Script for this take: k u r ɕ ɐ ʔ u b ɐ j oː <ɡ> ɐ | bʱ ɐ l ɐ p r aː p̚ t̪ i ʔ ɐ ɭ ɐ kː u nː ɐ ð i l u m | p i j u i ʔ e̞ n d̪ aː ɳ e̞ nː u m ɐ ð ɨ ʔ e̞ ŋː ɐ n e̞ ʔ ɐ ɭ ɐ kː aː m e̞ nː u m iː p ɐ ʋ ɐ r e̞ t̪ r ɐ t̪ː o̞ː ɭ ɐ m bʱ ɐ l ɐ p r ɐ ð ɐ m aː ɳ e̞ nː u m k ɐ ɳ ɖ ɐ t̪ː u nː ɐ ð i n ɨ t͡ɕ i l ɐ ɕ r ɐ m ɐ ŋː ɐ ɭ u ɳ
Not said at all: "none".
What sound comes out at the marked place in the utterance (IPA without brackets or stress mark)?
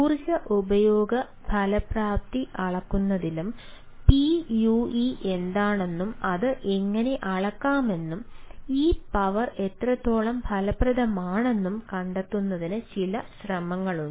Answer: ɡ